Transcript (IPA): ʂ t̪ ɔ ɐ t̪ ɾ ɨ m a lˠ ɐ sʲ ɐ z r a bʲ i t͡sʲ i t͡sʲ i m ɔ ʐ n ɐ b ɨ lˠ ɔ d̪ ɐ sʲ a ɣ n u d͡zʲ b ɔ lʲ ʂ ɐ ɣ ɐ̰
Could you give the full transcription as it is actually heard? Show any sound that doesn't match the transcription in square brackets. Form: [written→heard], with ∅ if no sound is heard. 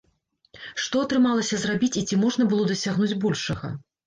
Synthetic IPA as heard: ʂ t̪ ɔ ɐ t̪ ɾ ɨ m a lˠ ɐ sʲ ɐ z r a bʲ i t͡sʲ i t͡sʲ i m ɔ ʐ n ɐ b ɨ lˠ ɔ d̪ ɐ sʲ a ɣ n u d͡zʲ b ɔ lʲ ʂ ɐ ɣ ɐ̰